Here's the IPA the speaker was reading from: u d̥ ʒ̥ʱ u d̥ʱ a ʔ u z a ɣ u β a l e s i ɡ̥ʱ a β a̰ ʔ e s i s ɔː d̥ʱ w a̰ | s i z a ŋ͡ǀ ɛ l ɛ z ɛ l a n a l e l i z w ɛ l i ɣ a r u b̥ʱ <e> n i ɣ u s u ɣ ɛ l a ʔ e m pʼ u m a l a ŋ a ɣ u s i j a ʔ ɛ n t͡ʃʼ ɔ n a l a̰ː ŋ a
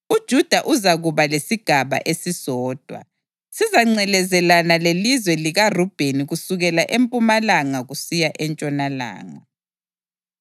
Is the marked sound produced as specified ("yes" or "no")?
yes